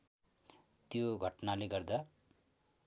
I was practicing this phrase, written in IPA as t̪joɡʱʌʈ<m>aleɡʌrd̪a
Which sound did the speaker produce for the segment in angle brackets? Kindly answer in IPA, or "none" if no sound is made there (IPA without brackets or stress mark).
n